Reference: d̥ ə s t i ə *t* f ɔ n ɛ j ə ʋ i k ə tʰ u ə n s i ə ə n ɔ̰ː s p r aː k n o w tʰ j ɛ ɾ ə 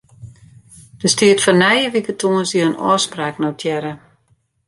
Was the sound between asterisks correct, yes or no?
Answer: yes